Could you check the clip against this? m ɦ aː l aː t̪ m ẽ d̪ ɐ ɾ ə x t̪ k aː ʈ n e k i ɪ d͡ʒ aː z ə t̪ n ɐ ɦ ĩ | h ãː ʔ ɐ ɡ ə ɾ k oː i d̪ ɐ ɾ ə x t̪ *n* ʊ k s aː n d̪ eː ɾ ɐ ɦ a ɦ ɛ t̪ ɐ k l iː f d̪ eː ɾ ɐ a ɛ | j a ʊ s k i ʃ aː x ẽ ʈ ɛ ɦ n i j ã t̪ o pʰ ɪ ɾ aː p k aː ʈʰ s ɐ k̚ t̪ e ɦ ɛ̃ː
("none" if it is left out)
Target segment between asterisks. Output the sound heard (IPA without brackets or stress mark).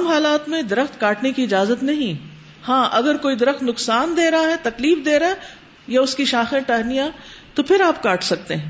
n